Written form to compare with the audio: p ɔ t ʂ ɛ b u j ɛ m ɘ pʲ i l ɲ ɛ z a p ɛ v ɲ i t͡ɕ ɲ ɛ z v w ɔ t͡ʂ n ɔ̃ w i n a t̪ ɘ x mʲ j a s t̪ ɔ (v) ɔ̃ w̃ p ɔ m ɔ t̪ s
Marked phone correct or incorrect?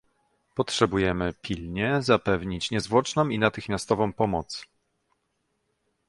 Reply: correct